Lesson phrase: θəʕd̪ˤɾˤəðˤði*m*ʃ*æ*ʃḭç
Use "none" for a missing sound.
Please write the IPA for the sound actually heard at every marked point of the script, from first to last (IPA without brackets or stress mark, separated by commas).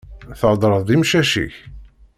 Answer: m, æ